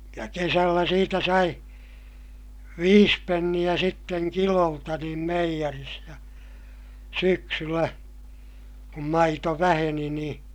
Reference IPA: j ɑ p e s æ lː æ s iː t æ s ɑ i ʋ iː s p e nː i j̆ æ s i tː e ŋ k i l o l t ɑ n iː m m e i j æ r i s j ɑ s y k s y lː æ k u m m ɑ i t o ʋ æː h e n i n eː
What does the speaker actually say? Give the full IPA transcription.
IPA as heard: j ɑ k e s æ lː æ s iː t æ s ɑ i ʋ iː s p e nː i j̆ æ s i tː e ŋ k i l o l t ɑ n iː m m e i j æ r i s j ɑ s y k s y lː æ k u m m ɑ i t o ʋ æ h e n i n iː

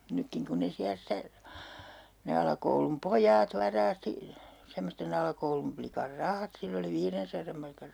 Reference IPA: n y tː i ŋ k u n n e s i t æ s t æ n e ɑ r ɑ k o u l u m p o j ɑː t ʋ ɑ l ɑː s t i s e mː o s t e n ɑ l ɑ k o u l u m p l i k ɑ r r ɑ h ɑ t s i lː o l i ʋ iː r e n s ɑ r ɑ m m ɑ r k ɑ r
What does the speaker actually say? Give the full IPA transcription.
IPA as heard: n y kː i ŋ k u n n e s i æ s t æ n e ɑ l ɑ k o u l u m p o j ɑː t ʋ ɑ r ɑː s t i s e mː o s t e n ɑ l ɑ k o u l u m p l i k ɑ r r ɑ h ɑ t s i lː o l i ʋ iː r e n s ɑ r ɑ m m ɑ r k ɑ r

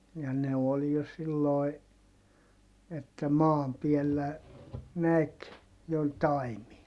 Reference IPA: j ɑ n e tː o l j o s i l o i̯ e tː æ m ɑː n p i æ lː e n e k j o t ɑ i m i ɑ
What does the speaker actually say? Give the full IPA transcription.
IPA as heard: j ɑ n e o l j o s i lː o i̯ e tː æ m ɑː m p i ɛ lː æ n æ k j o t ɑ i m i ɑ

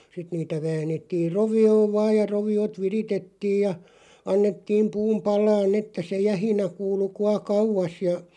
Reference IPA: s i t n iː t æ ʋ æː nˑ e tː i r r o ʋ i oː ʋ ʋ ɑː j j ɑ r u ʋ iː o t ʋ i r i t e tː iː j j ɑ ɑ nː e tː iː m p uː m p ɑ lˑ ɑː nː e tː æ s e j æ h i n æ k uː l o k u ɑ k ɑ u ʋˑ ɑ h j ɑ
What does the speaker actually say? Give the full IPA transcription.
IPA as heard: s i t n iː t æ ʋ æː nˑ e tː i r r o ʋ i oː ʋ ʋ ɑː j j ɑ r o ʋ i o t ʋ i r i t e tː iː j j ɑ ɑ nː e tː iː m p uː m p ɑ lˑ ɑː nː e tː æ s e j æ h i n æ k uː l u k u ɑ k ɑ u ʋˑ ɑ s j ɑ

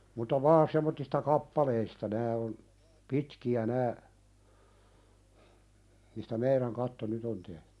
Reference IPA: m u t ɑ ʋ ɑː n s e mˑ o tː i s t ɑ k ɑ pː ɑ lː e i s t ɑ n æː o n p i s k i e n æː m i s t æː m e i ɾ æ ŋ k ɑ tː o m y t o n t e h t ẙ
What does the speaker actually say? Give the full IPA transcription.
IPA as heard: m u t ɑ ʋ ɑː n s e mˑ o tː i s t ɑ k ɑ pː ɑ l e i s t ɑ n æː o n p i t k i æ n æː m i s t æ m e i ɾ æ ŋ k ɑ tː o n y t o n t e h t ẙ

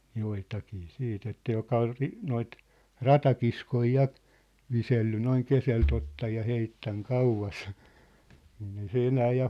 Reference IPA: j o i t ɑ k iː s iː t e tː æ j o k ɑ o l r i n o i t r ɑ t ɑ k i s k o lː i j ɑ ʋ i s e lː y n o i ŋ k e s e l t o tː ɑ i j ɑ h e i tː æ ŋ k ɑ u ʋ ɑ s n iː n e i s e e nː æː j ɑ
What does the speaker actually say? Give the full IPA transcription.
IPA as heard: j o i t ɑ k iː s iː t e tː æ j o k ɑ o l r i n o i t r ɑ t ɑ k i s k o i j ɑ ʋ i s e lː y n o i ŋ k e s e l t o tː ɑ j j ɑ h e i tː æ ŋ k ɑ u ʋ ɑ s n iː n e i s e e n æː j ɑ

